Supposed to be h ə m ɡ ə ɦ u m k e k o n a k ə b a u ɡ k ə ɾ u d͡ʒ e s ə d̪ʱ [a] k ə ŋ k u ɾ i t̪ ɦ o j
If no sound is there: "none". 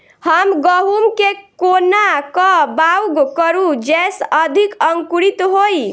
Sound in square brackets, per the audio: i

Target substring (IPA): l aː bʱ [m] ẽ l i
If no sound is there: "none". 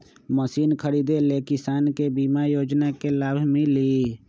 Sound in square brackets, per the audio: m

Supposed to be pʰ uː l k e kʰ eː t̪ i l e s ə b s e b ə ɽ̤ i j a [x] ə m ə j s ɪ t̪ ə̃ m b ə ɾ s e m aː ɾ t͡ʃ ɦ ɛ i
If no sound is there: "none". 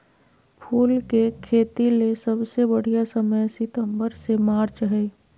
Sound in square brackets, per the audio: s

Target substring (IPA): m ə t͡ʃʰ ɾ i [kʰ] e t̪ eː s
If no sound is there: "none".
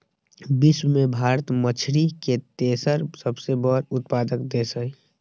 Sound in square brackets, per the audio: k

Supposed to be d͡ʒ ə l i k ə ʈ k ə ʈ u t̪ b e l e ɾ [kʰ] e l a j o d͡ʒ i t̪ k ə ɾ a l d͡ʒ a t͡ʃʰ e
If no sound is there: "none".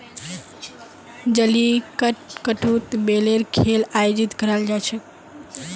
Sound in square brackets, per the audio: kʰ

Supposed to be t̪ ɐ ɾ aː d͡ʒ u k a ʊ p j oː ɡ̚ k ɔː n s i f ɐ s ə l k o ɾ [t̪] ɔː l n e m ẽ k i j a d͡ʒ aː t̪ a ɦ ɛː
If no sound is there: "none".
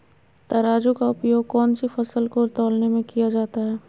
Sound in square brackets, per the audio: t̪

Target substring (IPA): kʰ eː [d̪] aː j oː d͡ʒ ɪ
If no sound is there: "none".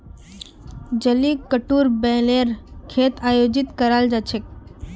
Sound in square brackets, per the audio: t̪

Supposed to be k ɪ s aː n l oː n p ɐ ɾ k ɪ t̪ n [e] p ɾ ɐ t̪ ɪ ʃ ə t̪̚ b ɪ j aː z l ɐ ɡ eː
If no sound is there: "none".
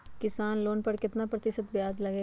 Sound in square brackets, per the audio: a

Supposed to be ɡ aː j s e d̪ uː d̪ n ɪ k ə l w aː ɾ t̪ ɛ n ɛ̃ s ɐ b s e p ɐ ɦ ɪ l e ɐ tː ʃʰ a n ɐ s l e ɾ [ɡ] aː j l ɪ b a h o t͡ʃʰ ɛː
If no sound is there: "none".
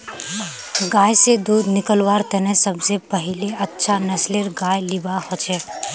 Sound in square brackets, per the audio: ɡ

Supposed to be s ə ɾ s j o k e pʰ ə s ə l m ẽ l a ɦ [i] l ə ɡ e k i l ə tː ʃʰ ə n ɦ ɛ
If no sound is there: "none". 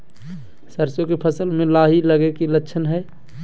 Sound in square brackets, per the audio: i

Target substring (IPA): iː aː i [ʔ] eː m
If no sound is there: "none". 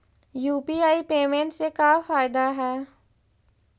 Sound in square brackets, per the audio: p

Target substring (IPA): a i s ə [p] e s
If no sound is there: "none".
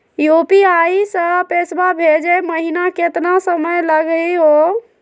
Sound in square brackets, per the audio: p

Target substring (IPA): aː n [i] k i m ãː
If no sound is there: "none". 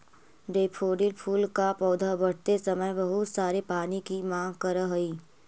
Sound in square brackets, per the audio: i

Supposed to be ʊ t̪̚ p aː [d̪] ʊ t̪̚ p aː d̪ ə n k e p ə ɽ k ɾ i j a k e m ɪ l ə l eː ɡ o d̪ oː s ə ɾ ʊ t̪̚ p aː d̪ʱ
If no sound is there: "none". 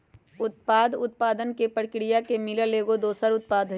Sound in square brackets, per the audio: d̪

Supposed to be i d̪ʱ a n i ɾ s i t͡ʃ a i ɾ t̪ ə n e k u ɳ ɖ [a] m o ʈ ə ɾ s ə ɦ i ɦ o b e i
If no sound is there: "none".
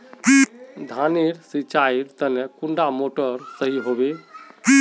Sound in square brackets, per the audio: a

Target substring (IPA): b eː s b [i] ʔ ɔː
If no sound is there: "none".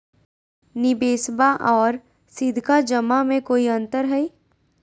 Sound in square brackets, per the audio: a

